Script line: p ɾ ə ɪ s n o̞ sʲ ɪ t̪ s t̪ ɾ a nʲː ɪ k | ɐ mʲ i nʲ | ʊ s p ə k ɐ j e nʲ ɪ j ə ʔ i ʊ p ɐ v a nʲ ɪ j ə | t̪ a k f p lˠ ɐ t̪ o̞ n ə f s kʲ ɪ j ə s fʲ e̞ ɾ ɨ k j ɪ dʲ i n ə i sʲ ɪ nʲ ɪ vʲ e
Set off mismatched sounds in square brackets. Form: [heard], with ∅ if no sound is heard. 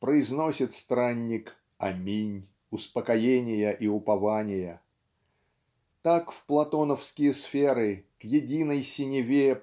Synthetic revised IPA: p ɾ ə ɪ [z] n o̞ sʲ ɪ t̪ s t̪ ɾ a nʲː ɪ k | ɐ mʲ i nʲ | ʊ s p ə k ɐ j e nʲ ɪ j ə ʔ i ʊ p ɐ v a nʲ ɪ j ə | t̪ a k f p lˠ ɐ t̪ o̞ n ə f s kʲ ɪ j ə s fʲ e̞ ɾ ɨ k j ɪ dʲ i n ə [j] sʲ ɪ nʲ ɪ vʲ e